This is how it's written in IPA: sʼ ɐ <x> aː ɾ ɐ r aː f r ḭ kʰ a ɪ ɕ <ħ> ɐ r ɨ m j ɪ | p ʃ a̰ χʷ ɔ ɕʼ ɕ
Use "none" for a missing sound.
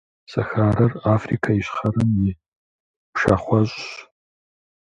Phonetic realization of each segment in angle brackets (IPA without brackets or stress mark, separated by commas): x, χ